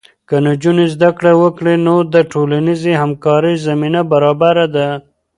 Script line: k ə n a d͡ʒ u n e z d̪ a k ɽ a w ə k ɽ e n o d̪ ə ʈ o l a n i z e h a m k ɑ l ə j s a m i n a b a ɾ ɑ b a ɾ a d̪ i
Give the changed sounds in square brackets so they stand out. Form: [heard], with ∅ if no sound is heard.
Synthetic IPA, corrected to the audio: k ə n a d͡ʒ u n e z d̪ a k ɽ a w ə k ɽ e n o d̪ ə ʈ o l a n i z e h a m k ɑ [ɾ] ə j [z] a m i n a b a ɾ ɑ b a ɾ a d̪ [a]